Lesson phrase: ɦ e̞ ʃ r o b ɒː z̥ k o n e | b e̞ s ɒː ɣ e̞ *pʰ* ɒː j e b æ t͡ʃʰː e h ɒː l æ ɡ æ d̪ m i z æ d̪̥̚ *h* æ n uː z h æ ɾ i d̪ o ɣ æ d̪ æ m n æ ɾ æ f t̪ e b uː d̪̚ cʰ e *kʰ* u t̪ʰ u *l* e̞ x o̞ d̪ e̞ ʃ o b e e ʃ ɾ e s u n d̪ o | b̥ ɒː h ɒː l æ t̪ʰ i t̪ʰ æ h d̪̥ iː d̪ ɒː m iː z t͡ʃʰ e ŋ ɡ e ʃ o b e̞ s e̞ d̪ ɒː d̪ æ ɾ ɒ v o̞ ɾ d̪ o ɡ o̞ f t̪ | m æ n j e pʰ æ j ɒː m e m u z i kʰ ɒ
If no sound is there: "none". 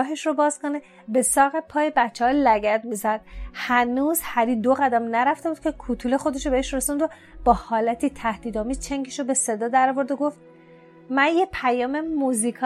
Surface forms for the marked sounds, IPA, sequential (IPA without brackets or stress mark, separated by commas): pʰ, h, kʰ, l